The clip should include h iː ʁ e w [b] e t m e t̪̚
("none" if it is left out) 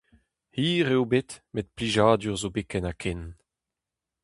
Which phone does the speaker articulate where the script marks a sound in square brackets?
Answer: b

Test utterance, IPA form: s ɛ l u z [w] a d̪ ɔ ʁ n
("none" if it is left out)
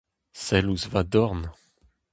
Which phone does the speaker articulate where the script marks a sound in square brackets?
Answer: v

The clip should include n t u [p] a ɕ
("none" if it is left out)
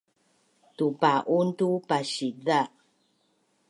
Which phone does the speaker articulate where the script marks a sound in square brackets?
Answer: p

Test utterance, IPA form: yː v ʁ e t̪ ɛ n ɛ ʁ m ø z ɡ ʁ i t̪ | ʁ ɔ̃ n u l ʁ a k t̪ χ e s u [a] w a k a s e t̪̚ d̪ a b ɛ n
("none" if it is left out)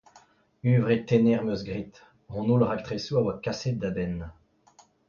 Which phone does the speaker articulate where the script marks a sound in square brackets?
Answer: a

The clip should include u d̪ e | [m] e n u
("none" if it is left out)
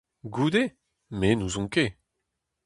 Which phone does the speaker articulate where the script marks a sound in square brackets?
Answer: m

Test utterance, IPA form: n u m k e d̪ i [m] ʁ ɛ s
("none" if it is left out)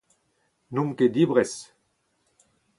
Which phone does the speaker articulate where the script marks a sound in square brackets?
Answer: b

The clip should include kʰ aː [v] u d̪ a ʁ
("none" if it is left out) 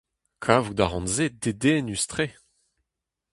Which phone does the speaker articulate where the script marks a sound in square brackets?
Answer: v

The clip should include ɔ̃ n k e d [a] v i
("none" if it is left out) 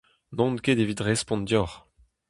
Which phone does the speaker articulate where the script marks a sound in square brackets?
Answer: e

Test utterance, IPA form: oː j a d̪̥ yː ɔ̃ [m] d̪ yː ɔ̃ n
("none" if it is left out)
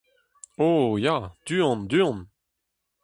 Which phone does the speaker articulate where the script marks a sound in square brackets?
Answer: n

